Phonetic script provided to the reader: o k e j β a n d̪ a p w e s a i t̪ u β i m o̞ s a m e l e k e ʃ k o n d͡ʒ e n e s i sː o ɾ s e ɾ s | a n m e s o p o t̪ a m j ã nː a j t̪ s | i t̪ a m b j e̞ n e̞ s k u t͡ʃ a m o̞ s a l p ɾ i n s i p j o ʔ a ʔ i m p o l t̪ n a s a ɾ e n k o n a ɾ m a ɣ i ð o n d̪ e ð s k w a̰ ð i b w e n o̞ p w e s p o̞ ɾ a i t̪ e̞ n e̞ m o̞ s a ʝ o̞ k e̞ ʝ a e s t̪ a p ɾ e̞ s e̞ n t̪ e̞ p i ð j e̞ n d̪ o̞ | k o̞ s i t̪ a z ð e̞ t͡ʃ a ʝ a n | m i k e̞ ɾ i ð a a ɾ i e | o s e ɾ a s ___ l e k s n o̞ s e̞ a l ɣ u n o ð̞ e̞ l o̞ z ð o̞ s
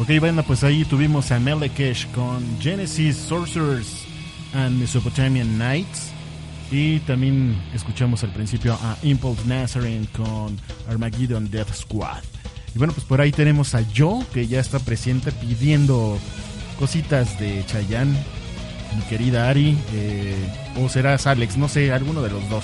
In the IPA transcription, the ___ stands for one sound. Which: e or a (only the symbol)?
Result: a